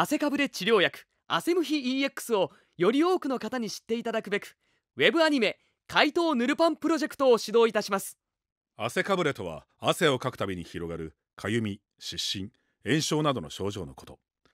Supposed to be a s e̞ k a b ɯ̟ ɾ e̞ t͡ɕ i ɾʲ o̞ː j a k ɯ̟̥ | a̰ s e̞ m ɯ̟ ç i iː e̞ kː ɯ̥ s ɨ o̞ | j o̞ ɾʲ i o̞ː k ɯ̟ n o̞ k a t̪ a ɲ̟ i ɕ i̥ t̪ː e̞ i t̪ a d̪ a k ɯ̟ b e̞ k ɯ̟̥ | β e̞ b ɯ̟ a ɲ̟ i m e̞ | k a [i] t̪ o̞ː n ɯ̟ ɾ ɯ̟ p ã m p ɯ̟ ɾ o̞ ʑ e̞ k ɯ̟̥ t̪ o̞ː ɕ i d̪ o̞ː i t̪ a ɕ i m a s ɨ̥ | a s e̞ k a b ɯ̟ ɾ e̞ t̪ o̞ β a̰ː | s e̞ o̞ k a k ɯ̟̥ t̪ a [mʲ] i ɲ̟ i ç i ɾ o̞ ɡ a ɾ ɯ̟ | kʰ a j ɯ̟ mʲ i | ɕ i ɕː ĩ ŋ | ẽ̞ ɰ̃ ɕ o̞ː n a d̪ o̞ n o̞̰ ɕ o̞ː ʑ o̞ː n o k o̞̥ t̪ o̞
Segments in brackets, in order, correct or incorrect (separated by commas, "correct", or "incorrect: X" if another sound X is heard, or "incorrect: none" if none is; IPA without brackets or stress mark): correct, incorrect: bʲ